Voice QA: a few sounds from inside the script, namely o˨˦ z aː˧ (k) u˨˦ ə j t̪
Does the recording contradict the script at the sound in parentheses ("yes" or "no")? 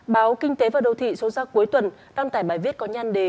no